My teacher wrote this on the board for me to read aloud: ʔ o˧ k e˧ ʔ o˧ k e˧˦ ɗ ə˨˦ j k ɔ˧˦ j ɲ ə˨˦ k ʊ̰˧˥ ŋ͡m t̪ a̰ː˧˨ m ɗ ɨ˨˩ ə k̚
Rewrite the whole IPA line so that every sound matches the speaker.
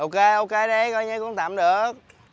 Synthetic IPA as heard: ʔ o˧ k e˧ ʔ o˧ k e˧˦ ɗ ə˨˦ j k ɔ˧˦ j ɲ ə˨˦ k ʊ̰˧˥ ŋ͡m t̪ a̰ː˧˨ m ɗ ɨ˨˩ ə k̚